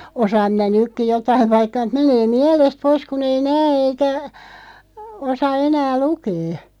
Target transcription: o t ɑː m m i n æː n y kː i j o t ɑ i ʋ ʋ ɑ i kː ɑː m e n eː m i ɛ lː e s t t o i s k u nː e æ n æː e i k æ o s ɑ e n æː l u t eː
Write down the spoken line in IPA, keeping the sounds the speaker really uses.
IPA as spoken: o s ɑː m m i n æ n y kː i j o t ɑ i ʋ ʋ ɑ i kː ɑ m e n eː m i ɛ l e s t p o i s k u n e i n æː e i k æ o s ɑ e n æː l u k eː